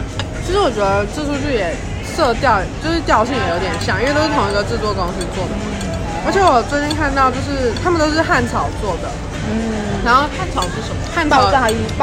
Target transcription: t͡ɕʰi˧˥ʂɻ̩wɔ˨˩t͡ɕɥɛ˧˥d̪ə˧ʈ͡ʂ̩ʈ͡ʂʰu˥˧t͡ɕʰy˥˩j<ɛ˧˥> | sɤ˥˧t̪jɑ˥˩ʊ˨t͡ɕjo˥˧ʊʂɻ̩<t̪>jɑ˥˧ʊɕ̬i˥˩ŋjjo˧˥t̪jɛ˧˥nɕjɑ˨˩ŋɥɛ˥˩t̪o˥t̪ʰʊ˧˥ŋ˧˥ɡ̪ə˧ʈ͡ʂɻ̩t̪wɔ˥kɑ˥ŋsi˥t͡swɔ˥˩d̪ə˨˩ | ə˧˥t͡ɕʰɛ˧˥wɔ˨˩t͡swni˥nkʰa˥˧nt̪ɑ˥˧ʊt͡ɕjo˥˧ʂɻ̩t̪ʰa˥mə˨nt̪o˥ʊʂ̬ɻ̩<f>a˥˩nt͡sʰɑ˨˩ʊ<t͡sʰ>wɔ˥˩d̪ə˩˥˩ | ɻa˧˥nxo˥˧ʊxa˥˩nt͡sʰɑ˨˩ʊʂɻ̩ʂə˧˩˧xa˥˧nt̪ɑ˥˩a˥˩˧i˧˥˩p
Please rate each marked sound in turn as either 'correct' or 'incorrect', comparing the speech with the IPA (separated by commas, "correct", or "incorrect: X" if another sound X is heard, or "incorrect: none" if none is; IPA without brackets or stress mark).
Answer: incorrect: ɛ˨˩, correct, incorrect: x, incorrect: t͡s